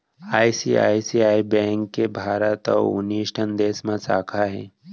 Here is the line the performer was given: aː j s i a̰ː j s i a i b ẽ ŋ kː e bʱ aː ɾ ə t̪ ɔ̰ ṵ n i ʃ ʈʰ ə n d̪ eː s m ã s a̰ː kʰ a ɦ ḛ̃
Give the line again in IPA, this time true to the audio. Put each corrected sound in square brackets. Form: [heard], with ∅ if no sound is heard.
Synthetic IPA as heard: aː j s i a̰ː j s i a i b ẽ ŋ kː e bʱ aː ɾ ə t̪ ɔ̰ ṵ n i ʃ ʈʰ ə n d̪ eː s m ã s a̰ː kʰ a ɦ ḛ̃